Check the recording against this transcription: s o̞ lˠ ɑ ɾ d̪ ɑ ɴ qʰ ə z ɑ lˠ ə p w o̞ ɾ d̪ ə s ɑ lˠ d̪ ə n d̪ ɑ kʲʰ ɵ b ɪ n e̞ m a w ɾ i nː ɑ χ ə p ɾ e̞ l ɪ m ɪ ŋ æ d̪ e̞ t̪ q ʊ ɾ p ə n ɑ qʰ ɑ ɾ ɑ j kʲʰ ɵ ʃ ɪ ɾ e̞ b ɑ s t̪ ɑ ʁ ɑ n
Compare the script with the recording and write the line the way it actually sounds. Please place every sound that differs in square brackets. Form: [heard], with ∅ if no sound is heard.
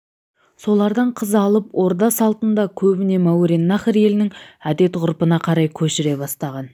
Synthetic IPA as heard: s o̞ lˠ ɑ ɾ d̪ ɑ ɴ qʰ ə z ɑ lˠ ə p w o̞ ɾ d̪ [ɑ] s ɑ lˠ [t̪] ə n d̪ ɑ kʲʰ ɵ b ɪ n e̞ m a w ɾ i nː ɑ χ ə [∅] ɾ e̞ l ɪ [n] ɪ ŋ æ d̪ e̞ t̪ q ʊ ɾ p ə n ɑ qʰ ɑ ɾ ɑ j kʲʰ ɵ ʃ ɪ ɾ e̞ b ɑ s t̪ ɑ ʁ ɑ n

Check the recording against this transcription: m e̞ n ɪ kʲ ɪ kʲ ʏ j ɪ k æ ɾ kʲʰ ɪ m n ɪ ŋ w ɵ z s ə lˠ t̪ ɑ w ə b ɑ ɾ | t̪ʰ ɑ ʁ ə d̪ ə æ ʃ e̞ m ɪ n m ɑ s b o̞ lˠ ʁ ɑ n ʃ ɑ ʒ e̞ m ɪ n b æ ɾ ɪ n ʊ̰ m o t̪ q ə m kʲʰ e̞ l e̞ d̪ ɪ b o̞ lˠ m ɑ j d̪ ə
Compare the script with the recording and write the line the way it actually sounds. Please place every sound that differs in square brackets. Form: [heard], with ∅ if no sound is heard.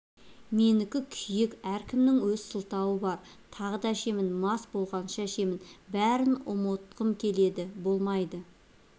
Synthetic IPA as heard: m e̞ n ɪ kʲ ɪ [kʲʰ] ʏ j ɪ k æ ɾ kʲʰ ɪ m n ɪ ŋ w ɵ z s ə lˠ t̪ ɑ w ə b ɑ ɾ | t̪ʰ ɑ ʁ ə d̪ [ɑ] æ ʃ e̞ m ɪ n m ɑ s b o̞ lˠ ʁ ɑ n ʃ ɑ [ʃ] e̞ m ɪ n b æ ɾ ɪ n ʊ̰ m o t̪ q ə m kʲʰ e̞ l e̞ d̪ ɪ b o̞ lˠ m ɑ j d̪ ə

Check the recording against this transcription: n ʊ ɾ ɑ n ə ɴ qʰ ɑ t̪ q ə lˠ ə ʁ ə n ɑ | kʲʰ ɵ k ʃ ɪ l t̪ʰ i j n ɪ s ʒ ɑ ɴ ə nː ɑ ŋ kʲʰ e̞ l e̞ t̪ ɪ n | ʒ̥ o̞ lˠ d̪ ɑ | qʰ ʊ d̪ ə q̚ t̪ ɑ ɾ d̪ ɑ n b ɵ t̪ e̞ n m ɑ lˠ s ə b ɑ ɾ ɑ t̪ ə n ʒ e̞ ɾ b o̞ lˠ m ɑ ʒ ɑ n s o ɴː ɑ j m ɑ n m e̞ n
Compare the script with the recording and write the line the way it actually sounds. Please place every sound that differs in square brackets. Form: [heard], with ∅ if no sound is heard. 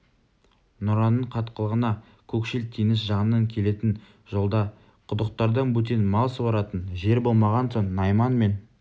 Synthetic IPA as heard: n ʊ ɾ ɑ n ə ɴ qʰ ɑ t̪ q ə lˠ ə ʁ ə n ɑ | kʲʰ ɵ k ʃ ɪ l t̪ʰ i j n ɪ s ʒ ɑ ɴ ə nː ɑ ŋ kʲʰ e̞ l e̞ t̪ ɪ n | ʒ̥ o̞ lˠ d̪ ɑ | qʰ ʊ d̪ ə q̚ t̪ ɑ ɾ d̪ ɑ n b ɵ t̪ e̞ n m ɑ lˠ s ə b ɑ ɾ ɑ t̪ ə n ʒ e̞ ɾ b o̞ lˠ m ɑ [ʁ] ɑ n s o ɴː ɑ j m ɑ n m e̞ n

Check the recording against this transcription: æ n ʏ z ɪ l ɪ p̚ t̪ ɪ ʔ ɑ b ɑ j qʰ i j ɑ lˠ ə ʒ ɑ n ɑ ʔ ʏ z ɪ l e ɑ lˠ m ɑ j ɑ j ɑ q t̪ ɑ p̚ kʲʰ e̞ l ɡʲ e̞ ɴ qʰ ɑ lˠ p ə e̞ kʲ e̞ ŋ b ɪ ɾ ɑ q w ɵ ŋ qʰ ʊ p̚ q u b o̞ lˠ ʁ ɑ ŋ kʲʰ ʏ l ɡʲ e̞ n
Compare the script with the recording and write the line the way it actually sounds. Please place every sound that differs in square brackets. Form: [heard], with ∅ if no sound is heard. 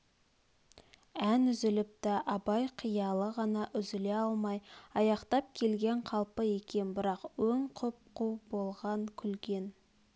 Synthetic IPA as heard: æ n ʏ z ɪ l ɪ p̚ t̪ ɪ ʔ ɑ b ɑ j qʰ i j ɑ lˠ ə [ʁ] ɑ n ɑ ʔ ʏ z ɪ l e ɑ lˠ m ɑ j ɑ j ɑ q t̪ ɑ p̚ kʲʰ e̞ l ɡʲ e̞ ɴ qʰ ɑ lˠ p ə e̞ kʲ e̞ [n] b ɪ ɾ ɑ q w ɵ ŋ qʰ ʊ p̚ q u b o̞ lˠ ʁ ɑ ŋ kʲʰ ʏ l ɡʲ e̞ n

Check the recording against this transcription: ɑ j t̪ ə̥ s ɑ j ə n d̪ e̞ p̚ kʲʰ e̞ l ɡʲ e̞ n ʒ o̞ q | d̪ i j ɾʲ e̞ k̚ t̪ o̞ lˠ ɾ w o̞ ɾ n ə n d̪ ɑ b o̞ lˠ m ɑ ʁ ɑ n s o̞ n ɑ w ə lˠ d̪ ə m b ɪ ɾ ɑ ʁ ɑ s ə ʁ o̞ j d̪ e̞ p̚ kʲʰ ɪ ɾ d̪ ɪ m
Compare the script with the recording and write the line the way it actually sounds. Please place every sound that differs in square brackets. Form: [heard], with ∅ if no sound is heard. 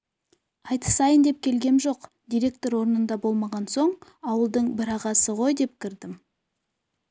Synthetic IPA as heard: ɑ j t̪ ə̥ s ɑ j ə n d̪ e̞ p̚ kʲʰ e̞ l ɡʲ e̞ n ʒ o̞ q | d̪ i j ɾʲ e̞ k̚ t̪ o̞ [∅] ɾ w o̞ ɾ n ə n d̪ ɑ b o̞ lˠ m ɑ ʁ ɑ n s o̞ [ɴ] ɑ w ə lˠ d̪ ə [ɴ] b ɪ ɾ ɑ ʁ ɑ s ə ʁ o̞ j d̪ e̞ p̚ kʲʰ ɪ ɾ d̪ ɪ m

